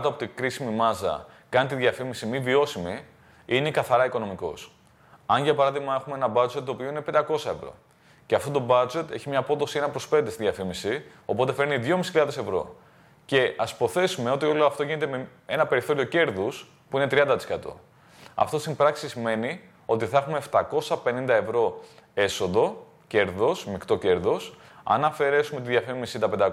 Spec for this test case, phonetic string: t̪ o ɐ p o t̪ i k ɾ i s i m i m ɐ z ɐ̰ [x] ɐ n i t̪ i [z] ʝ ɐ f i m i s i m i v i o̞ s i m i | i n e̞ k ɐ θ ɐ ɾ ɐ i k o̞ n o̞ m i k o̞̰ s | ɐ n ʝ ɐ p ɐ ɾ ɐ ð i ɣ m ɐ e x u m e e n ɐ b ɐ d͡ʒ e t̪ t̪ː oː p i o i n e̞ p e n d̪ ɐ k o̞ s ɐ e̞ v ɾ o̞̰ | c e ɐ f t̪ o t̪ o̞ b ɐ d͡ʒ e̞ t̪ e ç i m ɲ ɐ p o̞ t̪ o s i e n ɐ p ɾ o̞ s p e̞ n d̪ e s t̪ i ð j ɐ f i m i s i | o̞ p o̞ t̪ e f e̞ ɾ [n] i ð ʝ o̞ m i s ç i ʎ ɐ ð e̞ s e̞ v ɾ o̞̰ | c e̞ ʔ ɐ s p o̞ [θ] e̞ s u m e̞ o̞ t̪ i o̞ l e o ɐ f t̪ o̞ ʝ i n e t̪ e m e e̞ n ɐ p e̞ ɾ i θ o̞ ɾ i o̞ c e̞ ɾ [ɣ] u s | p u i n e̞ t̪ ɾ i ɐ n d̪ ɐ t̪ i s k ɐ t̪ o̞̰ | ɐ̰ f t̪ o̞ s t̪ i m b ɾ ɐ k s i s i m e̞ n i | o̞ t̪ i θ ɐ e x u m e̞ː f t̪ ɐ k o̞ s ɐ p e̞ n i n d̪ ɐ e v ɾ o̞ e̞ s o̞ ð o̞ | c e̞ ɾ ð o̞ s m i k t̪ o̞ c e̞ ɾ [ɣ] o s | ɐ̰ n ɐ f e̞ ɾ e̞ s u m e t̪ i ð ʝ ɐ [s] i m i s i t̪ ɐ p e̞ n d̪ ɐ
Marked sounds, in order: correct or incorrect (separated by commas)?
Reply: incorrect, incorrect, correct, correct, incorrect, incorrect, incorrect